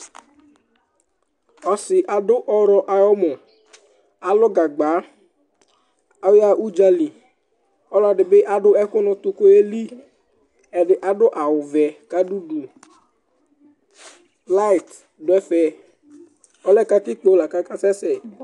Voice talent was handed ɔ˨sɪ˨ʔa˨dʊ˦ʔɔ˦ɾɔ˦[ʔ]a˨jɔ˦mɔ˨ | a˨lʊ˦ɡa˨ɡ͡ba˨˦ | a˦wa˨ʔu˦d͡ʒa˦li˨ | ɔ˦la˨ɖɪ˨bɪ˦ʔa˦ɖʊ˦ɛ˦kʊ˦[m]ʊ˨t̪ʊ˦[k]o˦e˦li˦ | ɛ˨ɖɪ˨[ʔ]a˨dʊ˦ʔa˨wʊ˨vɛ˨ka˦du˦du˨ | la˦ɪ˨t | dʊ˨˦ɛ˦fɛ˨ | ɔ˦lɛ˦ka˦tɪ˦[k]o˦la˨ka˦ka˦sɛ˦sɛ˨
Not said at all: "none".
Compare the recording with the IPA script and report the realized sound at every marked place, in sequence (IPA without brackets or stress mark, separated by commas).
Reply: ʔ, n, k, ʔ, k͡p